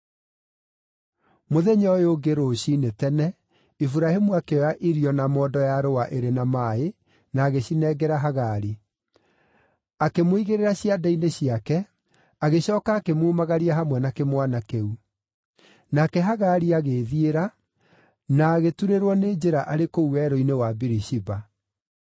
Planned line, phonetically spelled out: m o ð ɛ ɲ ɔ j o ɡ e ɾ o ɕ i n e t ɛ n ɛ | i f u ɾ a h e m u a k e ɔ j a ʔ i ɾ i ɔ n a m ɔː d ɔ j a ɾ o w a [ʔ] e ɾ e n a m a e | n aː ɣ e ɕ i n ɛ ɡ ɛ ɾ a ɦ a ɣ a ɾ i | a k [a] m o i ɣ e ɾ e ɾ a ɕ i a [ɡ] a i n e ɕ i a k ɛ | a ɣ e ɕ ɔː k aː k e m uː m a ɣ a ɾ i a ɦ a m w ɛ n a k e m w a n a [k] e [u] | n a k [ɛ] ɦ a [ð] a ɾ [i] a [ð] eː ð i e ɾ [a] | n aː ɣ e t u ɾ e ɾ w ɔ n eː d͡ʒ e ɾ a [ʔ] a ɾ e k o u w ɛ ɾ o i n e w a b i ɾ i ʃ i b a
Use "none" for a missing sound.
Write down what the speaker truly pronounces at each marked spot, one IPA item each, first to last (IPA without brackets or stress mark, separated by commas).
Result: ʔ, e, d, k, u, ɛ, ɣ, i, ɣ, a, ʔ